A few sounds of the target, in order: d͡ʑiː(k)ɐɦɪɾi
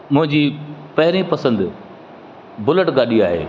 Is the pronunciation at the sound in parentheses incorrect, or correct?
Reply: incorrect